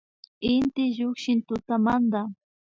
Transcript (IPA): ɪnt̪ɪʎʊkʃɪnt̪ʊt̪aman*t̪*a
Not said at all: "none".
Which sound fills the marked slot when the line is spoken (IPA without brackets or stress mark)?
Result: d̪